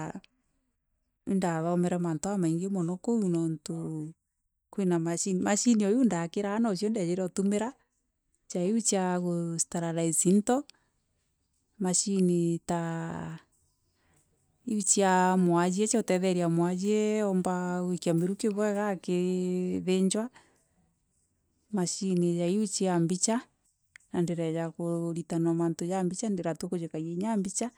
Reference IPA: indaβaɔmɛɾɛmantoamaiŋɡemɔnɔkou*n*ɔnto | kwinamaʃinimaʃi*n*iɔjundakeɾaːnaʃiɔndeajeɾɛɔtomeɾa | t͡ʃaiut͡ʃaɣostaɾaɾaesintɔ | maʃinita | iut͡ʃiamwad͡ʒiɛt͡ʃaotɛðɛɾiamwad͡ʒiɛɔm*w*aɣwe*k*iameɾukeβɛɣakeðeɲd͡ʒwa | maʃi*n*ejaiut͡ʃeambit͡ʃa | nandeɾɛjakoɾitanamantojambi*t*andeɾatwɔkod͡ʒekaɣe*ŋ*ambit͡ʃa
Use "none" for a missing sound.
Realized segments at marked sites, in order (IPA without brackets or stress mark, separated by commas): n, n, b, k, n, t͡ʃ, ɲ